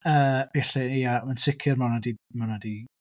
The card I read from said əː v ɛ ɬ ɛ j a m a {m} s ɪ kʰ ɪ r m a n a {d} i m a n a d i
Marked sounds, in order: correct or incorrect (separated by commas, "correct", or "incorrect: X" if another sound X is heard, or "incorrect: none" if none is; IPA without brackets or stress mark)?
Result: incorrect: n, correct